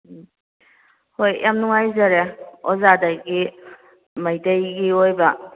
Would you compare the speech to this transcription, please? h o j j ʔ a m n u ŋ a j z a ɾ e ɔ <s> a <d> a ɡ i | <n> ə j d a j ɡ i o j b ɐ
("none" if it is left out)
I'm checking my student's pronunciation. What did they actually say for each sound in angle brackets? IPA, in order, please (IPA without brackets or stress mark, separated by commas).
z, d, m